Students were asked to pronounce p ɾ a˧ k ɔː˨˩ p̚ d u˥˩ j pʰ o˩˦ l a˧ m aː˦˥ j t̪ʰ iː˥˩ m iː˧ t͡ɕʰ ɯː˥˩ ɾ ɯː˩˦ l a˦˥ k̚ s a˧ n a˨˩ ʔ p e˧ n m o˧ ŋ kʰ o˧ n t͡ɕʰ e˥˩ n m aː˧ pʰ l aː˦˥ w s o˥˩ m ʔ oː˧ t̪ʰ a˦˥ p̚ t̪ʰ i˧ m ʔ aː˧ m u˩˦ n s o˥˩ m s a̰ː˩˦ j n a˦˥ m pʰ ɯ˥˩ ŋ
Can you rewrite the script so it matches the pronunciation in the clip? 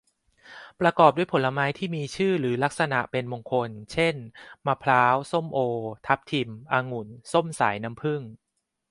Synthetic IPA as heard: p ɾ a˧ k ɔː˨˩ p̚ d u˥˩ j pʰ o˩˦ l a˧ m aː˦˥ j t̪ʰ iː˥˩ m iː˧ t͡ɕʰ ɯː˥˩ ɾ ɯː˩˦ l a˦˥ k̚ s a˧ n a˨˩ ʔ p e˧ n m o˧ ŋ kʰ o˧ n t͡ɕʰ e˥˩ n m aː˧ pʰ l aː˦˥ w s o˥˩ m ʔ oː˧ t̪ʰ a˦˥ p̚ t̪ʰ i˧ m ʔ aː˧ ŋ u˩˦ n s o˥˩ m s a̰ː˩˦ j n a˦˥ m pʰ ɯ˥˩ ŋ